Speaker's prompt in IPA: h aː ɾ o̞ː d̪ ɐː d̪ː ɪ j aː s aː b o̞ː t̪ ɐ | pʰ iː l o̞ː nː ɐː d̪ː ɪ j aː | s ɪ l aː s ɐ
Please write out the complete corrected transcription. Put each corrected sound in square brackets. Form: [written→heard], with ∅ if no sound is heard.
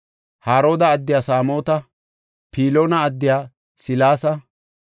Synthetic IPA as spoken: h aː ɾ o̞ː d̪ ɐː d̪ː ɪ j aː s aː [b→m] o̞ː t̪ ɐ | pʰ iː l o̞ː [nː→n] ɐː d̪ː ɪ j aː | s ɪ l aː s ɐ